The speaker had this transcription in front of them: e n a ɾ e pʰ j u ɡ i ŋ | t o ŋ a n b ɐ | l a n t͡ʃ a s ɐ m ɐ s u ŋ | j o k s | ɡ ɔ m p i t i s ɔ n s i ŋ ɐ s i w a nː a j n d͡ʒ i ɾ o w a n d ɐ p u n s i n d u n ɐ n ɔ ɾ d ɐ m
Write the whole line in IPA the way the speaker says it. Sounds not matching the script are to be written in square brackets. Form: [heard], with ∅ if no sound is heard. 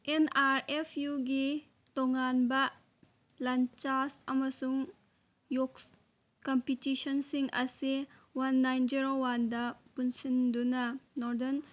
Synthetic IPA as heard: e n a ɾ e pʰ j u ɡ i [∅] | t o ŋ a n b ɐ | l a n t͡ʃ a s ɐ m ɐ s u ŋ | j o k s | [k] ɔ m p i t i s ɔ n s i ŋ ɐ s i w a nː a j n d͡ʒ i ɾ o w a n d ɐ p u n s i n d u n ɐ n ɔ ɾ d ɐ [n]